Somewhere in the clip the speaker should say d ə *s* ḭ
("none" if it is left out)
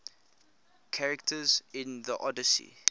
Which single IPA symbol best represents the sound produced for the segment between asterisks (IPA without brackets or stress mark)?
s